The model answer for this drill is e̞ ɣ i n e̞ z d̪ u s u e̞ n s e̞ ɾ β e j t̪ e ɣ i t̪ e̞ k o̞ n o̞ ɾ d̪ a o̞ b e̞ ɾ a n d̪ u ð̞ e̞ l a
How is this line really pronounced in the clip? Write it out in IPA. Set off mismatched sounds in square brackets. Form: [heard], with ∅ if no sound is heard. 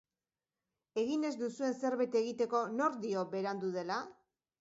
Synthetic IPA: e̞ ɣ i n e̞ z d̪ u s u e̞ n s e̞ ɾ β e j t̪ e ɣ i t̪ e̞ k o̞ n o̞ ɾ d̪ [i] o̞ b e̞ ɾ a n d̪ u ð̞ e̞ l a